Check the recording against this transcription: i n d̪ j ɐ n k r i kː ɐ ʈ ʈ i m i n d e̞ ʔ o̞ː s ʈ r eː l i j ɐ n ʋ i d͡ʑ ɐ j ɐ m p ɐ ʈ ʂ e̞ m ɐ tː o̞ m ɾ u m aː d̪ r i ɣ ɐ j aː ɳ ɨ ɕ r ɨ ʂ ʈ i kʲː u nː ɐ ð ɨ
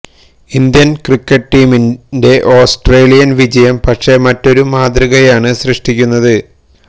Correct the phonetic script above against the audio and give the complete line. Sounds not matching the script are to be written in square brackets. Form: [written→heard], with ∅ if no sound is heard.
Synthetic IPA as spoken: i n d̪ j ɐ n k r i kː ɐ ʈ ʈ [i→iː] m i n d e̞ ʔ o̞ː s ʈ r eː l i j ɐ n ʋ i d͡ʑ ɐ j ɐ m p ɐ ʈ ʂ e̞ m ɐ tː o̞ [m→∅] ɾ u m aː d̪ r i ɣ ɐ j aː ɳ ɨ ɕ r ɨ ʂ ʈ i kʲː u nː ɐ ð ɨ